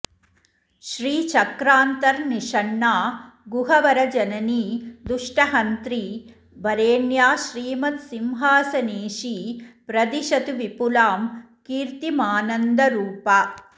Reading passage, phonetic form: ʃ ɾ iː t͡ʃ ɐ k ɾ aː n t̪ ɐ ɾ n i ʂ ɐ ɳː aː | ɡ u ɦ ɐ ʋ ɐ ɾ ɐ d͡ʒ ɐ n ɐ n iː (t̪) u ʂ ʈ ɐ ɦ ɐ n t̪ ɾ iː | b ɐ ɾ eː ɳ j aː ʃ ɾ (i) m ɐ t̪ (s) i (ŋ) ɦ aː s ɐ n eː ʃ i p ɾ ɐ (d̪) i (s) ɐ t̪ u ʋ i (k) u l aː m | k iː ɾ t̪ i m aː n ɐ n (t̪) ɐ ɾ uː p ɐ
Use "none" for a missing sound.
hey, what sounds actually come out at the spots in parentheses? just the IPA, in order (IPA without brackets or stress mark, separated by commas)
d̪, iː, s, m, d̪, ʃ, p, d̪